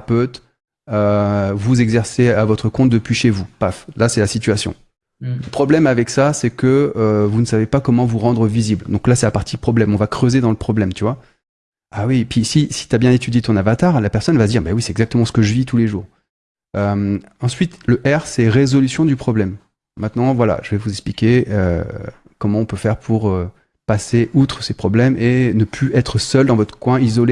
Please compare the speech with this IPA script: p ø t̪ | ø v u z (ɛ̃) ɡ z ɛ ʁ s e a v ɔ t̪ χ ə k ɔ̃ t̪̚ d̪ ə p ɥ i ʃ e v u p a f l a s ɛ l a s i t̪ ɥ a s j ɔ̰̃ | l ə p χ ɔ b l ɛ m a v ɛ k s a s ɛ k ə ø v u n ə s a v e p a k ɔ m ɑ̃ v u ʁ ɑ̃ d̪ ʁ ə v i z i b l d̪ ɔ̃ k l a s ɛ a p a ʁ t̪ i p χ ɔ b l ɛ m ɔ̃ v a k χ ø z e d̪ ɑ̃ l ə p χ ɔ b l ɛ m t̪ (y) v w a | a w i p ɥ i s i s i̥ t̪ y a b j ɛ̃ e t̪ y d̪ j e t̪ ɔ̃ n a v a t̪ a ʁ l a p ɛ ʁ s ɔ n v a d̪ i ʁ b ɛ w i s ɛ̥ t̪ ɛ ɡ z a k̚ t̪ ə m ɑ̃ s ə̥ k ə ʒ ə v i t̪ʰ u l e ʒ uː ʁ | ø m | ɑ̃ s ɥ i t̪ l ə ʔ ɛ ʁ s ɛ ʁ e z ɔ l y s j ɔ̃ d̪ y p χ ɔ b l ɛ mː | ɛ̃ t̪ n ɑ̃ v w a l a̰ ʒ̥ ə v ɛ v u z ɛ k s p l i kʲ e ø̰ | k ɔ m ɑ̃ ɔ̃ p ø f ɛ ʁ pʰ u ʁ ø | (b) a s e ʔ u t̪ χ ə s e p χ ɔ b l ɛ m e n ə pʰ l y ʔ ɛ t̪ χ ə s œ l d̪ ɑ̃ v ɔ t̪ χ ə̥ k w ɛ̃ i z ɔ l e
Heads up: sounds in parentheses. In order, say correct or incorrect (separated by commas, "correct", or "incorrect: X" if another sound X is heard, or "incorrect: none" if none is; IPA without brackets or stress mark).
incorrect: ɛ, correct, incorrect: p